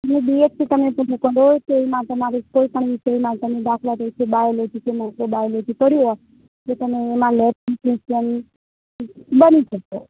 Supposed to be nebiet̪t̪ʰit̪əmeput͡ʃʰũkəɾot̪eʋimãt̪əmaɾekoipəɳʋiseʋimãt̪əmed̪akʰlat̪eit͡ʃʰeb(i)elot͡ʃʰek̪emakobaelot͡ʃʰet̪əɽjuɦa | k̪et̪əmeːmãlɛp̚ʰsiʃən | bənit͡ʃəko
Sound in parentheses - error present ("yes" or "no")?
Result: yes